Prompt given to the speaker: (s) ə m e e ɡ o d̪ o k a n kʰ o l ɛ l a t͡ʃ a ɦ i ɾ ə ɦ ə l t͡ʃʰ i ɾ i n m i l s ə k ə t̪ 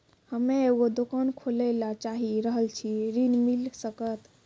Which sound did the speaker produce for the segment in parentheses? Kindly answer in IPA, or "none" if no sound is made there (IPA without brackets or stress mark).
h